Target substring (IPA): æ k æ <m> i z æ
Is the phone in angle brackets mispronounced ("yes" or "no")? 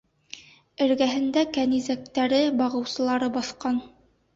yes